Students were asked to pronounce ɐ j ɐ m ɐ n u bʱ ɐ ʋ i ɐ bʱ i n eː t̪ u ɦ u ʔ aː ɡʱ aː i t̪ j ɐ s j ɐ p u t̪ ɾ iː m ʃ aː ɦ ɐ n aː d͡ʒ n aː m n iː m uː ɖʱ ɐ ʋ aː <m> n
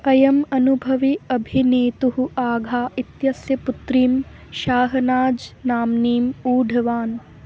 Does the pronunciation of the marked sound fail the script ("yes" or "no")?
yes